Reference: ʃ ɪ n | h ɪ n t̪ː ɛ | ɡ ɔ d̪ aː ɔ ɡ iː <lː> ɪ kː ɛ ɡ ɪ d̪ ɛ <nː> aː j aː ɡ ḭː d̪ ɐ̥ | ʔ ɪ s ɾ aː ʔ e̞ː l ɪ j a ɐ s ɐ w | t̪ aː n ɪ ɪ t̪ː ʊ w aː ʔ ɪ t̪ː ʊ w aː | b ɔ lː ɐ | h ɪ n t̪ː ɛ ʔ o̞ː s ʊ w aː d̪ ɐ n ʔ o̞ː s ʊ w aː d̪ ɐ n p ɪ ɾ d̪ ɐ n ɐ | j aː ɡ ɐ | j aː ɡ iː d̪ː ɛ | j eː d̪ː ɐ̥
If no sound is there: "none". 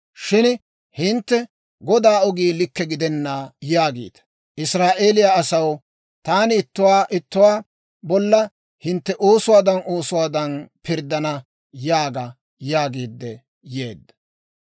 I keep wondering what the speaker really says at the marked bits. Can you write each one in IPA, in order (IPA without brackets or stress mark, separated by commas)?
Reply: l, nː